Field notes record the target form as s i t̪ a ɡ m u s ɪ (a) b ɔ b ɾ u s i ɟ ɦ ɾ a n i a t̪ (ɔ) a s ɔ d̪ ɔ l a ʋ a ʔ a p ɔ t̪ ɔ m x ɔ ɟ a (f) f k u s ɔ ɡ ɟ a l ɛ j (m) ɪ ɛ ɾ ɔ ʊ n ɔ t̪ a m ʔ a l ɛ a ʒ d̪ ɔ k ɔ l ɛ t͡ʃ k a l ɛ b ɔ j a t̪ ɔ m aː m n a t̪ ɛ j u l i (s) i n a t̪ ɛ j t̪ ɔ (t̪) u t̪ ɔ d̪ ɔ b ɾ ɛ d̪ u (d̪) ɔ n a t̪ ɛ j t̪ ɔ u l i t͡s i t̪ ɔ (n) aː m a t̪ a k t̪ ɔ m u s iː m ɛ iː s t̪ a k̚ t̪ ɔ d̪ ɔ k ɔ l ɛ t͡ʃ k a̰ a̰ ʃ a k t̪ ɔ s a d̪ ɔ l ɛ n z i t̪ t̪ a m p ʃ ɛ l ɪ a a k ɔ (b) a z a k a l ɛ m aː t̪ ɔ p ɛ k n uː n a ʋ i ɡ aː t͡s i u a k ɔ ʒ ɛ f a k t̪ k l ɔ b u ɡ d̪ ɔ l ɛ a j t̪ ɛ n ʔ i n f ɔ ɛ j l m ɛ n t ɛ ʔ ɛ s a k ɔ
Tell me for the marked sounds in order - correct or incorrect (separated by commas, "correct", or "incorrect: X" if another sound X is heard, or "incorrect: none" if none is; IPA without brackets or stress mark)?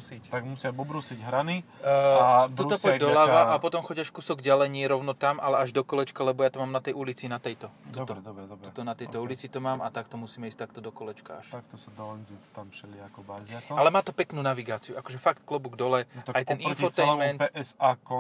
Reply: correct, incorrect: u, incorrect: ʃ, incorrect: ɲ, incorrect: t͡s, correct, incorrect: t̪, incorrect: m, correct